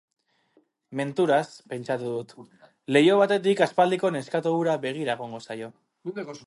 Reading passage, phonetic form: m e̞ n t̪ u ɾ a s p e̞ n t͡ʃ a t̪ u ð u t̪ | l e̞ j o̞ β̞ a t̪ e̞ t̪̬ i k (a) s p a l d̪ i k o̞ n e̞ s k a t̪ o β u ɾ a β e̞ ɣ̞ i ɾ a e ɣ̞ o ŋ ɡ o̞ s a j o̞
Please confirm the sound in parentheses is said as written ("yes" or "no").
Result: yes